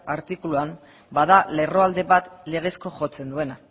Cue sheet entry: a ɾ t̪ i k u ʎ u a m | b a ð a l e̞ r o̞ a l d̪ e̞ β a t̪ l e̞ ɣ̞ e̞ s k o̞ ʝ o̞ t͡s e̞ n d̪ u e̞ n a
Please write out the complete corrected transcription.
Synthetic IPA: a ɾ t̪ i k u l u a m | b a ð a l e̞ r o̞ a l d̪ e̞ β a t̪ l e̞ ɣ̞ e̞ s k o̞ ʝ o̞ t͡s e̞ n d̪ u e̞ n a